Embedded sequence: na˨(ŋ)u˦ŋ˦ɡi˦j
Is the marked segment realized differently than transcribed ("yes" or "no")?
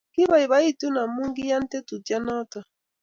yes